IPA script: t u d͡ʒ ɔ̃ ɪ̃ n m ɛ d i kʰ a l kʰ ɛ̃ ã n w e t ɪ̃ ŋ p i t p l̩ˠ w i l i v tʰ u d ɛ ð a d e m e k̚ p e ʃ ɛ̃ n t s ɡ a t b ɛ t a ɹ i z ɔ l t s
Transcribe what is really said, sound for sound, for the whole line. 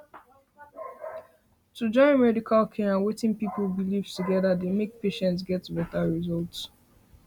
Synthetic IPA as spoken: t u d͡ʒ ɔ̃ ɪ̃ n m ɛ d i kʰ a l kʰ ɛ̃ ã n w e t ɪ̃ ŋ p i p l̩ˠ b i l i v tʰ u ɡ ɛ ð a d e m e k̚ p e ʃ ɛ̃ n t s ɡ ɛ t b ɛ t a ɹ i z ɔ l t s

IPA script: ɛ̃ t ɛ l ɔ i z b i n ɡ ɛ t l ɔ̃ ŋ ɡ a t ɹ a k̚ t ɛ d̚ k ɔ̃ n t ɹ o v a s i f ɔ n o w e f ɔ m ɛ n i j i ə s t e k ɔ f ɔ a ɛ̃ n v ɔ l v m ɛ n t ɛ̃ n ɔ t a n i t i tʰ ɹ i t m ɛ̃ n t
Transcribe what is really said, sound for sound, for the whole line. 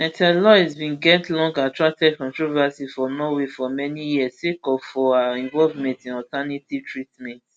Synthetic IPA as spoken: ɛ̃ t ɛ l ɔ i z b ĩ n ɡ ɛ t l ɔ̃ ŋ ɡ a t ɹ a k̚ t ɛ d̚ k ɔ̃ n t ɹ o v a s i f ɔ n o w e f ɔ m ɛ n i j i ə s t e k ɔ f ɔ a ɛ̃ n v ɔ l v m ɛ̃ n t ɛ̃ n ɔ t a n i t i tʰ ɹ i t m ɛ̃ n t

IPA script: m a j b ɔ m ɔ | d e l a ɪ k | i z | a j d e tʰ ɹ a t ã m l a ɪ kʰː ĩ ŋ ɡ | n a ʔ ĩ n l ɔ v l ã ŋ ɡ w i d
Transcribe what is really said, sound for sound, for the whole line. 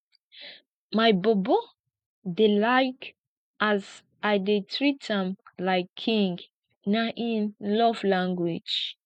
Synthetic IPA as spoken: m a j b ɔ b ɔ | d e l a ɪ k | a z | a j d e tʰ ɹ i t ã m l a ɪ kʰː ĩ ŋ ɡ | n a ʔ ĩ n l ɔ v l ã ŋ ɡ w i d͡ʒ

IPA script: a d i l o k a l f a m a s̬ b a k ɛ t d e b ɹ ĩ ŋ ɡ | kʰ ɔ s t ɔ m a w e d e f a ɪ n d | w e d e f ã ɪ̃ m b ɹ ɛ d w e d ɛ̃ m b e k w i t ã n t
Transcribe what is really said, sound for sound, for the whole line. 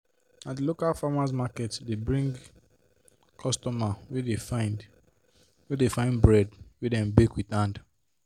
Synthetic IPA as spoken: a d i l o k a l f a m a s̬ m a k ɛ t d e b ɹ ĩ ŋ ɡ | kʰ ɔ s t ɔ m a w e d e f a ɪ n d | w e d e f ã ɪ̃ n b ɹ ɛ d w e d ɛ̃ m b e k w i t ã n d

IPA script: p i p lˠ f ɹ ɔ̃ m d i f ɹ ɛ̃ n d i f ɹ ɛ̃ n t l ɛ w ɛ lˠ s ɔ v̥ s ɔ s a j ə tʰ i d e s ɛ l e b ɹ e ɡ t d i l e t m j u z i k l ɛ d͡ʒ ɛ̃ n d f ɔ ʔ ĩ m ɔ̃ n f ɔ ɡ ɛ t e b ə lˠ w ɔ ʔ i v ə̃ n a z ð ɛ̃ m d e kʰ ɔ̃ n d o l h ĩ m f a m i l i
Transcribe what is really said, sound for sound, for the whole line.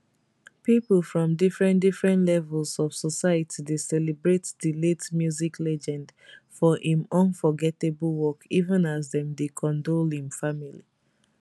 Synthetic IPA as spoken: p i p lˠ f ɹ ɔ̃ m d i f ɹ ɛ̃ n d i f ɹ ɛ̃ n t l ɛ v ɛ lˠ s ɔ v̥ s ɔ s a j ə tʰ i d e s ɛ l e b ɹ e t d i l e t m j u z i k l ɛ d͡ʒ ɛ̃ n d f ɔ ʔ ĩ m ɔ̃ n f ɔ ɡ ɛ t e b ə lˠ w ɔ k i v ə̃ n a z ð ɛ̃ m d e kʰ ɔ̃ n d o l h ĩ m f a m i l i

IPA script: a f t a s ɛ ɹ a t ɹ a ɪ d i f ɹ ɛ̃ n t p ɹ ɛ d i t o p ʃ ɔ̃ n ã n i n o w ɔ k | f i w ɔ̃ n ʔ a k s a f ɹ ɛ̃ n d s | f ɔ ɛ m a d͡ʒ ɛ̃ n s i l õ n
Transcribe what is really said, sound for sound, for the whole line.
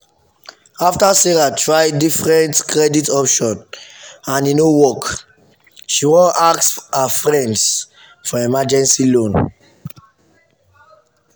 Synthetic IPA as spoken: a f t a s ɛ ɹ a t ɹ a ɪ d i f ɹ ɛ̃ n t k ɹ ɛ d i t ɔ p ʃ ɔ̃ n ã n i n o w ɔ k | ʃ i w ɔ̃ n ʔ a k s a f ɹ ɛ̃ n d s | f ɔ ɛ m a d͡ʒ ɛ̃ n s i l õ n

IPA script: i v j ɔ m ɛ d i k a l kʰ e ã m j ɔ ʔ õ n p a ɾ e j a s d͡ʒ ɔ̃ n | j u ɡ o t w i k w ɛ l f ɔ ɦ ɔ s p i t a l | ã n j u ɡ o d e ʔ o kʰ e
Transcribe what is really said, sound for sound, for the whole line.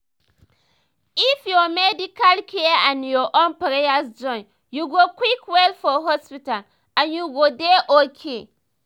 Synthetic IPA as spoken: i f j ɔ m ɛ d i k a l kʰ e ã n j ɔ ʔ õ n p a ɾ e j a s d͡ʒ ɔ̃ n | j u ɡ o k w i k w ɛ l f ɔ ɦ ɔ s p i t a l | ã n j u ɡ o d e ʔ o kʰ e

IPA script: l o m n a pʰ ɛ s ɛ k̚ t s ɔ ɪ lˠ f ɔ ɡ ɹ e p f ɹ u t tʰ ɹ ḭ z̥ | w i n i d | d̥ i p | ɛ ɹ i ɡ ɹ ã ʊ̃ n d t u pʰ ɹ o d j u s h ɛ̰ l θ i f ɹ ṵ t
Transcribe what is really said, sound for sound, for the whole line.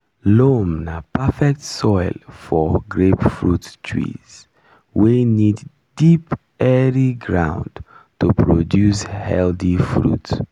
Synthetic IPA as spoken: l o m n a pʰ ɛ f ɛ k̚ t s ɔ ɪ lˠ f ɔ ɡ ɹ e p f ɹ u t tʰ ɹ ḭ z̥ | w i n i d | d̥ i p | ɛ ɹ i ɡ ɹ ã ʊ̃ n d t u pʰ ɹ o d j u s h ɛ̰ l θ i f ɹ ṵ t

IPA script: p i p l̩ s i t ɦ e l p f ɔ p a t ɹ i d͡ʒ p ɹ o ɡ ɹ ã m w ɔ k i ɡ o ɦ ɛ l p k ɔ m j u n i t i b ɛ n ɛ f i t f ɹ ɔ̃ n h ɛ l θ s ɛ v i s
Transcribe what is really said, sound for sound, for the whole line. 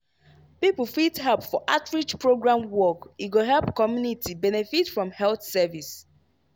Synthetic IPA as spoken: p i p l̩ f i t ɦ ɛ l p f ɔ ʔ a t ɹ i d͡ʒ p ɹ o ɡ ɹ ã m w ɔ k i ɡ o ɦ ɛ l p k ɔ m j u n i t i b ɛ n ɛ f i t f ɹ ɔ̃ m h ɛ l θ s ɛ v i s

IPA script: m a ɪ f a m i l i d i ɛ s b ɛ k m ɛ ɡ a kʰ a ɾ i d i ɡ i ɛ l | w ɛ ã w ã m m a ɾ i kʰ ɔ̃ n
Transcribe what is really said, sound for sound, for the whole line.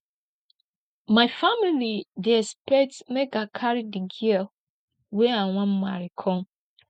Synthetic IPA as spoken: m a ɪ f a m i l i d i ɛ s p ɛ t m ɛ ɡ a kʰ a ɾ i d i ɡ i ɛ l | w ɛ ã w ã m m a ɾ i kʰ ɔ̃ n

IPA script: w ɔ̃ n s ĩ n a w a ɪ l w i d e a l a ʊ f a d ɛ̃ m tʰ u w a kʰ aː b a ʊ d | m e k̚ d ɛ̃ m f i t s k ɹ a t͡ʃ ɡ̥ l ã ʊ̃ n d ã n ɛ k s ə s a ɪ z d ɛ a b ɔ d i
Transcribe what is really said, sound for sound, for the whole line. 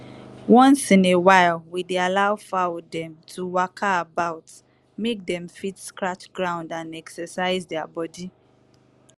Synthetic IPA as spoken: w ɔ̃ n s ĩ n e w a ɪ l w i d e a l a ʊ f a d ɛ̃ m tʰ u w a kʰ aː b a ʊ t | m e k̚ d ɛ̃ m f i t s k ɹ a t͡ʃ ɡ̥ ɹ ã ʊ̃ n d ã n ɛ k s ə s a ɪ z d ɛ a b ɔ d i

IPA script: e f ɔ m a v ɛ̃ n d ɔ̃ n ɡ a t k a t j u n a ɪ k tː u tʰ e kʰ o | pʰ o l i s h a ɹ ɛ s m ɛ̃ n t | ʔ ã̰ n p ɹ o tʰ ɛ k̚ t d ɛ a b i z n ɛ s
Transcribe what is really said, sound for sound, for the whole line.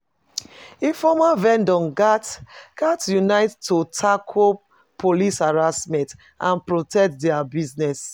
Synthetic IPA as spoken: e f ɔ m a v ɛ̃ n d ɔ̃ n ɡ a t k a t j u n a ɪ t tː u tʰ a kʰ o | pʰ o l i s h a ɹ a s m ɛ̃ n t | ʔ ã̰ n p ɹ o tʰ ɛ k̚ t d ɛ a b i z n ɛ s

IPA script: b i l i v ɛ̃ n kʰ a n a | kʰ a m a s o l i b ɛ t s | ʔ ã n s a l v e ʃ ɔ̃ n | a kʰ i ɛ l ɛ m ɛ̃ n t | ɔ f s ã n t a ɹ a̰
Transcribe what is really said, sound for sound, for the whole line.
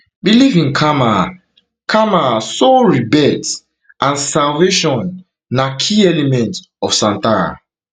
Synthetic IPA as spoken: b i l i v ĩ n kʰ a m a | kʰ a m a s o ɹ i b ɛ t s | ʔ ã n s a l v e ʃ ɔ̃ nː | a kʰ i ɛ l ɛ m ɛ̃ n t | ɔ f s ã n t a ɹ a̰

